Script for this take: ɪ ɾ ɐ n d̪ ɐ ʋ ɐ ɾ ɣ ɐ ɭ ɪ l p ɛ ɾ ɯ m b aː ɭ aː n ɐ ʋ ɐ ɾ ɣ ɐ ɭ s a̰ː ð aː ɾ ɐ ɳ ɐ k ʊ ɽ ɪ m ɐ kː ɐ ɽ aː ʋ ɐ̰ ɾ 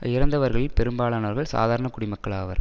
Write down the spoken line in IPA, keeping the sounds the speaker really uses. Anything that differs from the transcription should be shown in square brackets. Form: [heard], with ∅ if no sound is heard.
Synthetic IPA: ɪ ɾ ɐ n d̪ ɐ ʋ ɐ ɾ ɣ ɐ ɭ ɪ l p ɛ ɾ ɯ m b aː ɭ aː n ɐ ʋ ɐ ɾ ɣ ɐ ɭ s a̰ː ð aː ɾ ɐ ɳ ɐ k ʊ ɽ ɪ m ɐ kː ɐ [ɭ] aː ʋ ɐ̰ ɾ